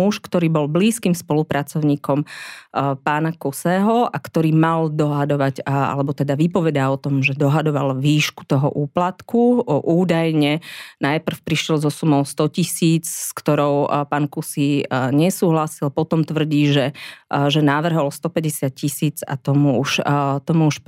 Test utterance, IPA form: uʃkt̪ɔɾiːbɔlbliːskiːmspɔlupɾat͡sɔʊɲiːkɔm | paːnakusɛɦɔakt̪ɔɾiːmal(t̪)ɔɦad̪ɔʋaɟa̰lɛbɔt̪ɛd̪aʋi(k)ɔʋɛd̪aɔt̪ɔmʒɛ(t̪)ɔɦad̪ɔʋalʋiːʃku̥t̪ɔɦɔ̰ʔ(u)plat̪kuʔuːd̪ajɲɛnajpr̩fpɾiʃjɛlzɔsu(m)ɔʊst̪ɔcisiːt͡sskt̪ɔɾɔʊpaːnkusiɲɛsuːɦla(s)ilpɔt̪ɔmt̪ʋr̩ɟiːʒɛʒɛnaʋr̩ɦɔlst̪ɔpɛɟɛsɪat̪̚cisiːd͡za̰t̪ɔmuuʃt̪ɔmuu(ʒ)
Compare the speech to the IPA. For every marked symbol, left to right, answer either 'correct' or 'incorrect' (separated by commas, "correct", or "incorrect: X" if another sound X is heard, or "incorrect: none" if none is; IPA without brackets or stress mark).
incorrect: d̪, incorrect: p, incorrect: d̪, incorrect: uː, correct, correct, incorrect: ʃ